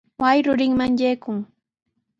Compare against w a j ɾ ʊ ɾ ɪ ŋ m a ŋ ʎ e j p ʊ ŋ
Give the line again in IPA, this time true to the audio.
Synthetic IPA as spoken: w a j ɾ ʊ ɾ ɪ ŋ m a ŋ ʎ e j k ʊ ŋ